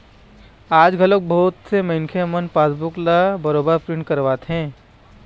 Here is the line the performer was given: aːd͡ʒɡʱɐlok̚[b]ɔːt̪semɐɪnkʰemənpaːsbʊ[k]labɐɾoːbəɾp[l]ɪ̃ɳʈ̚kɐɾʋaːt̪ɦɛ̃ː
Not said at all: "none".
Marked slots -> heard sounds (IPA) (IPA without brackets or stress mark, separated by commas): b, k, ɾ